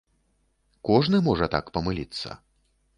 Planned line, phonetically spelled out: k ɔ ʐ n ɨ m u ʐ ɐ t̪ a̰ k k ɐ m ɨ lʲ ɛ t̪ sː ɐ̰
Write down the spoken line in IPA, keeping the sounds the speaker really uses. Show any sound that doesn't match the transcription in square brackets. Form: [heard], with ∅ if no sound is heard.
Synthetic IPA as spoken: k ɔ ʐ n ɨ m [ɔ] ʐ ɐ t̪ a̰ k [p] ɐ m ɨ lʲ [i] t̪ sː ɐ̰